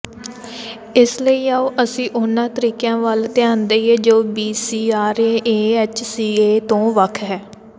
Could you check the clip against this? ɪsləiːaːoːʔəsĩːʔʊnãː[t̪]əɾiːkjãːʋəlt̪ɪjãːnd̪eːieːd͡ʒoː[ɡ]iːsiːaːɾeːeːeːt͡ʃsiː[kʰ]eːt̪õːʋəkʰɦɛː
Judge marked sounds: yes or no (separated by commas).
yes, no, no